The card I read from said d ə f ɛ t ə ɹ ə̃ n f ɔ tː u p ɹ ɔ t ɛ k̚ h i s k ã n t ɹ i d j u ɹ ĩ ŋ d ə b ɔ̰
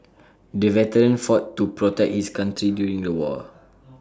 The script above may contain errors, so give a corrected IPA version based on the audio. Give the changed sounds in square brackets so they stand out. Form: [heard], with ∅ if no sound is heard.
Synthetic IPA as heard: d ə [v] ɛ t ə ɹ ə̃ n f ɔ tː u p ɹ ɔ t ɛ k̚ h i s k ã n t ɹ i d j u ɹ ĩ ŋ d ə [w] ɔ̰